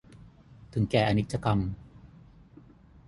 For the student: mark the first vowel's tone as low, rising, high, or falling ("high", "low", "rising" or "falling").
rising